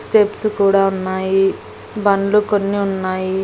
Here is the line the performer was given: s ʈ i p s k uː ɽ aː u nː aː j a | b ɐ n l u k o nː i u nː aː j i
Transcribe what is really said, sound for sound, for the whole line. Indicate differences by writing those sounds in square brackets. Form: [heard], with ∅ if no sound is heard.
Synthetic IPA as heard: s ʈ [e] p s k uː ɽ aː u nː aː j [i] | b ɐ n l u k o nː i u nː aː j i